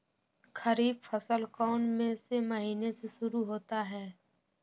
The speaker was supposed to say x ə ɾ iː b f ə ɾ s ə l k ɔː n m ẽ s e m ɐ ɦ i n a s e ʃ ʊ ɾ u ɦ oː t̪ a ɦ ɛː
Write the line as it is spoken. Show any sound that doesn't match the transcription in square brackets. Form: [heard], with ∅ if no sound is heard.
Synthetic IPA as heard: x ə ɾ iː b f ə [∅] s ə l k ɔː n m ẽ s e m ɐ ɦ [iː] n [e] s e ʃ ʊ ɾ u ɦ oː t̪ a ɦ ɛː